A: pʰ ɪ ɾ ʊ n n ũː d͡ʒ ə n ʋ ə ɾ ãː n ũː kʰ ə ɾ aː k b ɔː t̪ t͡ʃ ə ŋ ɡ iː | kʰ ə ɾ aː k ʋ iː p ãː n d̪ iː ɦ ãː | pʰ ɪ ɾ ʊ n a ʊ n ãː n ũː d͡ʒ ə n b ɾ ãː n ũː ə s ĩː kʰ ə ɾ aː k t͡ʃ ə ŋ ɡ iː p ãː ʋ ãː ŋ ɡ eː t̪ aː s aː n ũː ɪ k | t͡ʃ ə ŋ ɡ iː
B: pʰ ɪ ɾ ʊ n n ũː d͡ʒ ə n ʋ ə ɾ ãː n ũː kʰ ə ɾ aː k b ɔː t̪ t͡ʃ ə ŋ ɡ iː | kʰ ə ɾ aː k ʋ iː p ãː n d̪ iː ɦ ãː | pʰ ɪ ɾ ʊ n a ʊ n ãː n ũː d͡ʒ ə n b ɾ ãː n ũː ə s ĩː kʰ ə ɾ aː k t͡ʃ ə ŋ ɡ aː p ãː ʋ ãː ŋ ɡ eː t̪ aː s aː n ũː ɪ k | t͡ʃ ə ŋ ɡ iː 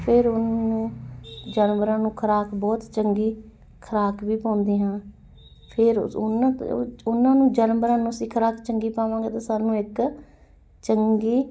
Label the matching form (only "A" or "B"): A